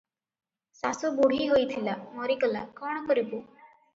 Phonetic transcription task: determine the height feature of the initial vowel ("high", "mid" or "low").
low